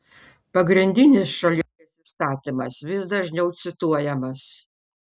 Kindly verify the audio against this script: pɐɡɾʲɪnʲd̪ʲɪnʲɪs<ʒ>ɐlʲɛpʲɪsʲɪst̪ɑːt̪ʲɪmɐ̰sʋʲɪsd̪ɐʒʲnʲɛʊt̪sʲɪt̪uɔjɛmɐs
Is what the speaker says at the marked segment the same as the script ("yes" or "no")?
no